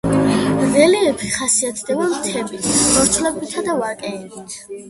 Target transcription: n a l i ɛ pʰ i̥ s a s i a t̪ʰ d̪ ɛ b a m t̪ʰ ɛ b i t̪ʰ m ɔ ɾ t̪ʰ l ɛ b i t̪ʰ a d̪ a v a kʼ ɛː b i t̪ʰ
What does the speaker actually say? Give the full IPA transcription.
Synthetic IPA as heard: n ɛ l i ɛ pʰ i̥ χ a s i a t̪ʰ d̪ ɛ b a m t̪ʰ ɛ b i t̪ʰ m ɔ ɾ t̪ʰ l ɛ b i t̪ʰ a d̪ a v a kʼ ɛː b i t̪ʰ